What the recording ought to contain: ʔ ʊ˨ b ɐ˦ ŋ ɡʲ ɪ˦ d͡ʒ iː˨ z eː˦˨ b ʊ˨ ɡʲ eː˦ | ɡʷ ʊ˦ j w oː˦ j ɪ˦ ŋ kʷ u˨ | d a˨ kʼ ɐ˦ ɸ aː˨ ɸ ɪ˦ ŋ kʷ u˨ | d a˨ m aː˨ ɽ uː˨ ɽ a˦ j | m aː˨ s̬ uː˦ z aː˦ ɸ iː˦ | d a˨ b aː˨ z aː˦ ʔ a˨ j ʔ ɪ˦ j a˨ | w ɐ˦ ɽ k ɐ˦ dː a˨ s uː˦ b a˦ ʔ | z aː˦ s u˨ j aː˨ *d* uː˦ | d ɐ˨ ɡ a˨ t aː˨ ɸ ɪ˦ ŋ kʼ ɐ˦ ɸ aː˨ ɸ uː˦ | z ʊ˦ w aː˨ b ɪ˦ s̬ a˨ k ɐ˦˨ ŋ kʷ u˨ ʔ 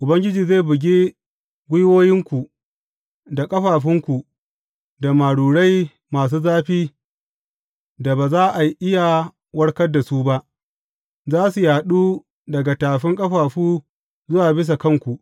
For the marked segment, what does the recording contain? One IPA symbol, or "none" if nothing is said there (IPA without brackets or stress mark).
ɗ